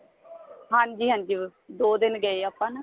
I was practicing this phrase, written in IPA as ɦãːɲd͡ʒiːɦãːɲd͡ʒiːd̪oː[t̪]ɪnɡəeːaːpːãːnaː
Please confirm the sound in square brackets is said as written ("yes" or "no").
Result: no